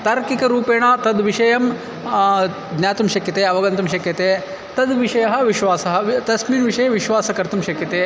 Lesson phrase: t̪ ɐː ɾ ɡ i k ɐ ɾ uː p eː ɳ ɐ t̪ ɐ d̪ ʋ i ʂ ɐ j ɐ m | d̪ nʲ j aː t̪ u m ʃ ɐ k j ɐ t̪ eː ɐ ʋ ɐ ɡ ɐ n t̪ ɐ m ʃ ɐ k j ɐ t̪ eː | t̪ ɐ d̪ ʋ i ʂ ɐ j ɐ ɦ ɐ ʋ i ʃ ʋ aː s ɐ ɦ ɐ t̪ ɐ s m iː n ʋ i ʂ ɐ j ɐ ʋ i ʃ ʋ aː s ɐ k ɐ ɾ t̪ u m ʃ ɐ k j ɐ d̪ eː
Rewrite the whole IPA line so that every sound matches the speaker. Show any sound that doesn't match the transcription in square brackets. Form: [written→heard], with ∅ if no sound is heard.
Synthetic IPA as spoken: t̪ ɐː ɾ [ɡ→k] i k ɐ ɾ uː p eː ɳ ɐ t̪ ɐ d̪ ʋ i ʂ ɐ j ɐ m | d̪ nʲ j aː t̪ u m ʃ ɐ k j ɐ t̪ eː ɐ ʋ ɐ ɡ ɐ n t̪ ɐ m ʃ ɐ k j ɐ t̪ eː | t̪ ɐ d̪ ʋ i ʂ ɐ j ɐ ɦ ɐ ʋ i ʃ ʋ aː s ɐ ɦ ɐ t̪ ɐ s m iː n ʋ i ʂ ɐ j ɐ ʋ i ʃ ʋ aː s ɐ k ɐ ɾ t̪ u m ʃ ɐ k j ɐ [d̪→t̪] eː